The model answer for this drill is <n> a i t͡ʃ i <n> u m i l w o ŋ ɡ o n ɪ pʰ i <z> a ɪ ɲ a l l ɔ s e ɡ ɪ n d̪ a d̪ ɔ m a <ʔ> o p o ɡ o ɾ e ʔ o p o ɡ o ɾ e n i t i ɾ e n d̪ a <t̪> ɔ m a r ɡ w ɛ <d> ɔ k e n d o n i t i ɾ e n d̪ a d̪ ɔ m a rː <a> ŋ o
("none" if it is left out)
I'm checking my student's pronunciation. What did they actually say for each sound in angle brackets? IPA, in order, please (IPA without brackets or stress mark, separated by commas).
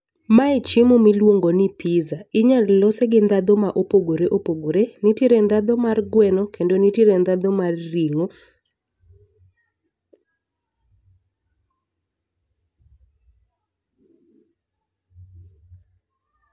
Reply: m, m, z, ʔ, d̪, n, i